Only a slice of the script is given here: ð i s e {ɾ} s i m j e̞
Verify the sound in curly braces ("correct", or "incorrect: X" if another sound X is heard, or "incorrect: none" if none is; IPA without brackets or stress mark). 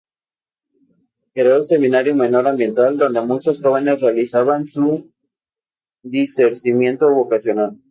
correct